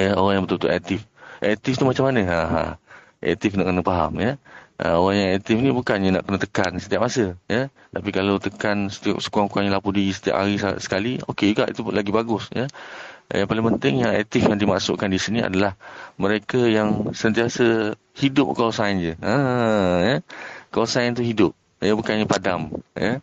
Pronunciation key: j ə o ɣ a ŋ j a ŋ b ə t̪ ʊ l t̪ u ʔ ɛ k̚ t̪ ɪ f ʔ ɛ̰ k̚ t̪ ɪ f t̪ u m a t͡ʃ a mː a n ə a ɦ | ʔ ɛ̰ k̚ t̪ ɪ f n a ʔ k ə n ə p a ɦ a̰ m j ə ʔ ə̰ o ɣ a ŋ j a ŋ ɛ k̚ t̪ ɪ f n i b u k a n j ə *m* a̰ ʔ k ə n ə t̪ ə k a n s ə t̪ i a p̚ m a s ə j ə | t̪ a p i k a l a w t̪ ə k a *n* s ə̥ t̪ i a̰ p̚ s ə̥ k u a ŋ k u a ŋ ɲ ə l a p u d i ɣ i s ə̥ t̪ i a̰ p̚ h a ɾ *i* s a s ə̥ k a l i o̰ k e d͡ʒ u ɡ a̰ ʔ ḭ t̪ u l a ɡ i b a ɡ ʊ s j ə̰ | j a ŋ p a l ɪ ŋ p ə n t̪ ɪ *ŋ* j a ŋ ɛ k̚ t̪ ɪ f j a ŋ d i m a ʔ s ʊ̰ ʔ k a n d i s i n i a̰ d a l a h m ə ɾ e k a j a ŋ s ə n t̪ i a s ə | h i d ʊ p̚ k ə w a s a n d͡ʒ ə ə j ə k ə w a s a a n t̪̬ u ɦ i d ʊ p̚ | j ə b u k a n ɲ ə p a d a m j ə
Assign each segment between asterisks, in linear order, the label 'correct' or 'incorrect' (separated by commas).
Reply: incorrect, correct, correct, correct